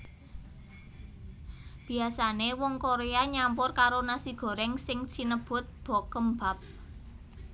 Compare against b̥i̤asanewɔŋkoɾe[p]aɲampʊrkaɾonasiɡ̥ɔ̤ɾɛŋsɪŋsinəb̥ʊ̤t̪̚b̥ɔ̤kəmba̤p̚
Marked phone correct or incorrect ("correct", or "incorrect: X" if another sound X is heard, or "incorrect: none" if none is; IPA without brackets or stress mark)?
incorrect: none